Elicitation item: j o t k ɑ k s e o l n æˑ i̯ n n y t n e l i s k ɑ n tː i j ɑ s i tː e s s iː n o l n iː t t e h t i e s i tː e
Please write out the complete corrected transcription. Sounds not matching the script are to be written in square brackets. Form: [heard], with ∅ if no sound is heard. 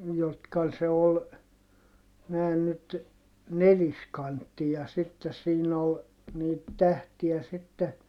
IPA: j o t k ɑ [∅] s e o l n æˑ i̯ n n y t n e l i s k ɑ n tː i j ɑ s i tː e s s iː n o l n iː t t [æ] h t i [æ] s i tː e